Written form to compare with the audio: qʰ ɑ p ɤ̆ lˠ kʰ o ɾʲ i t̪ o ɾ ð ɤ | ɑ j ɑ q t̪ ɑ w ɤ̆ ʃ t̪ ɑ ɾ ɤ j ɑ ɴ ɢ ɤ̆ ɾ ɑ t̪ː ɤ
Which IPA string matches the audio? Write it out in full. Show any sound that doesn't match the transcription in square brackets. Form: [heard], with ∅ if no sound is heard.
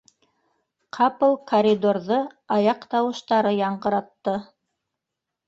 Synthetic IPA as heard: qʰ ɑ p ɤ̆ lˠ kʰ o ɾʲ i [d̪] o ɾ ð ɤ | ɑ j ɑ q t̪ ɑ w ɤ̆ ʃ t̪ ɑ ɾ ɤ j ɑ ɴ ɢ ɤ̆ ɾ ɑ t̪ː ɤ